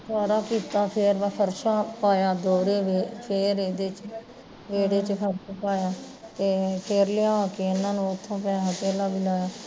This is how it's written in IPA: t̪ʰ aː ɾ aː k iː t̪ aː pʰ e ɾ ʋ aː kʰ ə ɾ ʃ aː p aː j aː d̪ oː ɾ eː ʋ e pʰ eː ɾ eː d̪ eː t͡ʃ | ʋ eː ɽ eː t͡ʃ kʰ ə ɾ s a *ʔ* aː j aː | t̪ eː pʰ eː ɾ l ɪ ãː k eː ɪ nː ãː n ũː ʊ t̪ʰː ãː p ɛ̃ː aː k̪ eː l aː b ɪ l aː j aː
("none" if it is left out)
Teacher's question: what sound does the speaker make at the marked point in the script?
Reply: p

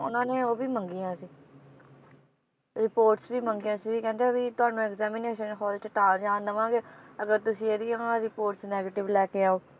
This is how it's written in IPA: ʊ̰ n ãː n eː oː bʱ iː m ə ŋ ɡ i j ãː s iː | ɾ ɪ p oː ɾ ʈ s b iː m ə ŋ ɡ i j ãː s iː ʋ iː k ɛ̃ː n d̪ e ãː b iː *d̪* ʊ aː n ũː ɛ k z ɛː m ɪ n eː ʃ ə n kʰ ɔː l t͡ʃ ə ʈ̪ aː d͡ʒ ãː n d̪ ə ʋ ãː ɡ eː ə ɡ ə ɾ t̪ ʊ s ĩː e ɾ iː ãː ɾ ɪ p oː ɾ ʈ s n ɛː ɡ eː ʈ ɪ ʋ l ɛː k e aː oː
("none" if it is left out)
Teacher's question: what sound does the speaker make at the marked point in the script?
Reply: t̪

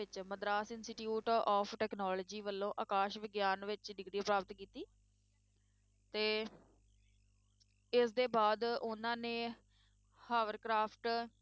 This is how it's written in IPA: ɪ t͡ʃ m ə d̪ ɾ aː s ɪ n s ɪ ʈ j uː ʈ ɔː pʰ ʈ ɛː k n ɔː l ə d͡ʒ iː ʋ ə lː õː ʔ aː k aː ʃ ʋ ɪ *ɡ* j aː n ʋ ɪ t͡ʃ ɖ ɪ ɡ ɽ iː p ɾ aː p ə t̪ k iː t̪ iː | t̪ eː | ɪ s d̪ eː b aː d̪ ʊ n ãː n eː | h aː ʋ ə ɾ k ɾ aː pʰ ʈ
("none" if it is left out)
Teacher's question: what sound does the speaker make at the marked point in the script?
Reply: ɡ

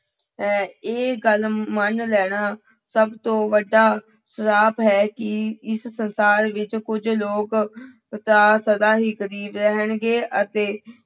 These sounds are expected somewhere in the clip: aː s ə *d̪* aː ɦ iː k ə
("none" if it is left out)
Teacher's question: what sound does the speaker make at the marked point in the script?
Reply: d̪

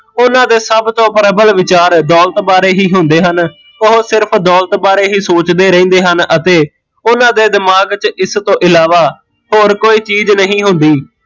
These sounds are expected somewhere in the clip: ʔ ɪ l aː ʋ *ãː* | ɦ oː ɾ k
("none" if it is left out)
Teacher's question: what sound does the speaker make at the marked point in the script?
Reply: aː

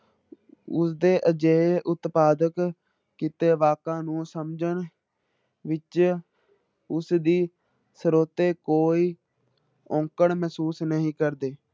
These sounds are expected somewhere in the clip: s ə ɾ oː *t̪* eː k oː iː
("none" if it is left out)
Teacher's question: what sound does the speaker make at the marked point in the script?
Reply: t̪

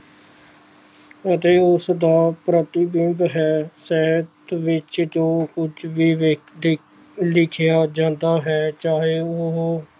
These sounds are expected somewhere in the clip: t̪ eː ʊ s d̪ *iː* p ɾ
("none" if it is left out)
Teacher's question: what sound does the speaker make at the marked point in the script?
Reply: aː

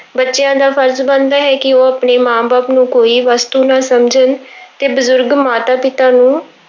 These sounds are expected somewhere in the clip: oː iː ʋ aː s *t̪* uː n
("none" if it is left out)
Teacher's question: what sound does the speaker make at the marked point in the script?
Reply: t̪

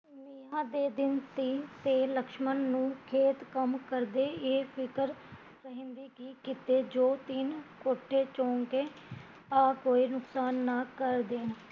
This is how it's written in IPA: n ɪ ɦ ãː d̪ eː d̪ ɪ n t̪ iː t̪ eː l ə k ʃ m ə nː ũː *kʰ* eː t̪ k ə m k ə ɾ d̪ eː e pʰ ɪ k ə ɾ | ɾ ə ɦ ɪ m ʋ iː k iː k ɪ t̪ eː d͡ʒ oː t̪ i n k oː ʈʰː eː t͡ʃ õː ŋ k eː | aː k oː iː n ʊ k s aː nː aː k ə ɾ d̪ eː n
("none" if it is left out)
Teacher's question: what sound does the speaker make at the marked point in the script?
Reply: kʰ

